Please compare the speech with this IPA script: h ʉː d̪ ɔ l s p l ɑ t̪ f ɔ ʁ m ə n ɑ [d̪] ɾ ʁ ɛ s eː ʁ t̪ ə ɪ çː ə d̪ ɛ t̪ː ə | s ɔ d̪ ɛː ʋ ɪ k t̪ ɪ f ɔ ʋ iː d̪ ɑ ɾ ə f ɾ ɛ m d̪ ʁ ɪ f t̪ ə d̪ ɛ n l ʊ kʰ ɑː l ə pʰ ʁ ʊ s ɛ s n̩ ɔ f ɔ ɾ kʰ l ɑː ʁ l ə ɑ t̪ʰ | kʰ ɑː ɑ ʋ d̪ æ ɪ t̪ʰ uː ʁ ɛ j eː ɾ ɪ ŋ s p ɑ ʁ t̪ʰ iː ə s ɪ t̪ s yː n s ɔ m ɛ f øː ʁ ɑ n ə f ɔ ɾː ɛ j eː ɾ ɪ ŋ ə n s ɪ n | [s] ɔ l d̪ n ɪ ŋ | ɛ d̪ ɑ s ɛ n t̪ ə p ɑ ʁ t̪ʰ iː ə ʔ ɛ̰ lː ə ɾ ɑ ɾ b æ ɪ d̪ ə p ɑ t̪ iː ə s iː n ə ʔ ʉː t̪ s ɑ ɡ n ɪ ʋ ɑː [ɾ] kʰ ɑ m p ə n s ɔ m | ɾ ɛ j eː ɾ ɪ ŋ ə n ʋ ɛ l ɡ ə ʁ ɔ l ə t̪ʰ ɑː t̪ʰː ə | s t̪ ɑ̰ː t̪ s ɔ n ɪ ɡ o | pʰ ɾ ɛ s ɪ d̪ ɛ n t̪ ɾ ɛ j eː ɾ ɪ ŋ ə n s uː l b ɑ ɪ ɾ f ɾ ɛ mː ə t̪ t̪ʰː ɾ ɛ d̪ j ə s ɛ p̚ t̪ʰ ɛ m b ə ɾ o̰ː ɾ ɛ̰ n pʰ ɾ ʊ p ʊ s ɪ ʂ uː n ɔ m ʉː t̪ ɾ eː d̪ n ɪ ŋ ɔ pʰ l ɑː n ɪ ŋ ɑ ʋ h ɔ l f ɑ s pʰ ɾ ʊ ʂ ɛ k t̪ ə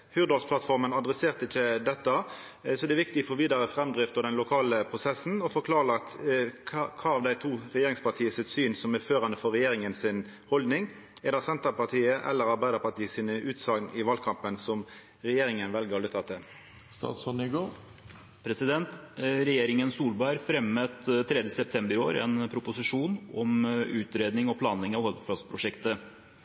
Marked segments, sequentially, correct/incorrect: correct, incorrect: h, incorrect: l

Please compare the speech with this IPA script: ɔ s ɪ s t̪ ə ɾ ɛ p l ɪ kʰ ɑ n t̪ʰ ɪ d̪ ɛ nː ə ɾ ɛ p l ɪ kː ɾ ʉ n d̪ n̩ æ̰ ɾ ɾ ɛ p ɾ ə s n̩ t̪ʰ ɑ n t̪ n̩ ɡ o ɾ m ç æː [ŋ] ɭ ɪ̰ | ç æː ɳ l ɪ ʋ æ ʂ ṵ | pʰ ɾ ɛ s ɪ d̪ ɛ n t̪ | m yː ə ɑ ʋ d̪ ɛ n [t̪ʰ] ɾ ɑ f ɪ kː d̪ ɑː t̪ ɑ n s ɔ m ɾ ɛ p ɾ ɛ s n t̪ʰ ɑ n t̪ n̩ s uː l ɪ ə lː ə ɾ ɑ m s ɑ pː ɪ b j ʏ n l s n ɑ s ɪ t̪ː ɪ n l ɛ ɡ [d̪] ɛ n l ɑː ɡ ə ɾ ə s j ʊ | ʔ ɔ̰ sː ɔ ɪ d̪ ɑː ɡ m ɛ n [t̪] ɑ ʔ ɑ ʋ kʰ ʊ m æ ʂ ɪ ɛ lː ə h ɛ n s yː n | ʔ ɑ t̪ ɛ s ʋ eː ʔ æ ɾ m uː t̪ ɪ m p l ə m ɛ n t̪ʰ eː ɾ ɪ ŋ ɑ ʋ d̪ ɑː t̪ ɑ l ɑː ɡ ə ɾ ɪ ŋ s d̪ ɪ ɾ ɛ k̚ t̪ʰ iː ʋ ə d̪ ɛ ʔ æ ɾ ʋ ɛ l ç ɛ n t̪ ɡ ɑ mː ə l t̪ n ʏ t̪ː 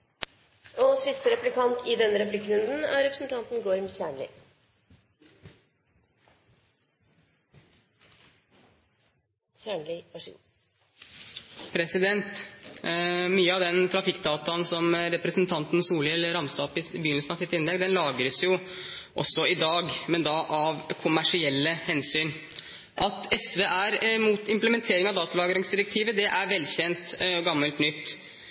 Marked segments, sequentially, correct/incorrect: incorrect: ɳ, correct, correct, incorrect: d̪

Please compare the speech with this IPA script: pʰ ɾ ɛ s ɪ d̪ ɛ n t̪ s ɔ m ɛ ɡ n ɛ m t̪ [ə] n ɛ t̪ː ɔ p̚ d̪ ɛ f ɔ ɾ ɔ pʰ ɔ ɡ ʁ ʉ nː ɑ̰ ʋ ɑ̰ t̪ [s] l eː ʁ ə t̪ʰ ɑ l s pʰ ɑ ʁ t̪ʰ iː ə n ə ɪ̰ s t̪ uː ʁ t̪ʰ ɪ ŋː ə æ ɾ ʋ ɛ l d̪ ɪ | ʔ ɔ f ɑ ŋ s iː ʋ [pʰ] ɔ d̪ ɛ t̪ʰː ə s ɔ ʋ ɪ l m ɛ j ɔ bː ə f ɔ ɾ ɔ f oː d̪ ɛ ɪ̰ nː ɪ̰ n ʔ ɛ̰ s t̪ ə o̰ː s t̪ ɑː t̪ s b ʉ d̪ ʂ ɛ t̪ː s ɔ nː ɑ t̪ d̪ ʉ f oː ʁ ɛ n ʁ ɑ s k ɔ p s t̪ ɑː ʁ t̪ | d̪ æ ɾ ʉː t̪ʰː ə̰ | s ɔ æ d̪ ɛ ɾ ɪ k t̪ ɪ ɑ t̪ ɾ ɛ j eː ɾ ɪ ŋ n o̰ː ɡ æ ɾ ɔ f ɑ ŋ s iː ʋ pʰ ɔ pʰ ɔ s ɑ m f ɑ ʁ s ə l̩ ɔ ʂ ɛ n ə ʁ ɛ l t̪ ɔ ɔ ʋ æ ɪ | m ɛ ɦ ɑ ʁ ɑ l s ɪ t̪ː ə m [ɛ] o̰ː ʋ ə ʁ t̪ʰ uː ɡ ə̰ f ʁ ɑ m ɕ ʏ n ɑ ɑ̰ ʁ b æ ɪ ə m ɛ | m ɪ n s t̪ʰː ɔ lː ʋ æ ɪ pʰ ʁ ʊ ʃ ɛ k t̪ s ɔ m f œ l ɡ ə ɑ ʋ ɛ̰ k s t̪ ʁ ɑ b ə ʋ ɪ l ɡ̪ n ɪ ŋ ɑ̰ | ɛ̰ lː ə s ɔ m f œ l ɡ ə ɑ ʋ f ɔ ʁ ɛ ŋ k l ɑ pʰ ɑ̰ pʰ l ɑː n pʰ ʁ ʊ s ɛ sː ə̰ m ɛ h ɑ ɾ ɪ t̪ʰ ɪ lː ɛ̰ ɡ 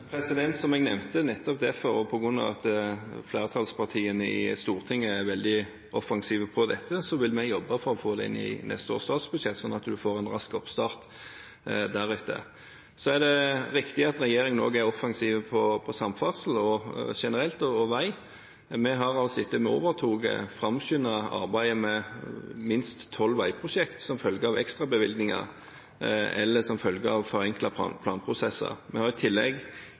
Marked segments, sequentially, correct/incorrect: correct, incorrect: f, correct, correct

